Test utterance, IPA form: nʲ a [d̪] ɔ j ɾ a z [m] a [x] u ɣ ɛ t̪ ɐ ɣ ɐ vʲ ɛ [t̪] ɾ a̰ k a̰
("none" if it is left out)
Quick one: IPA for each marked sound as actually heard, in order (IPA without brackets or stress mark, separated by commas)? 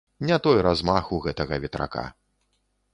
t̪, m, x, t̪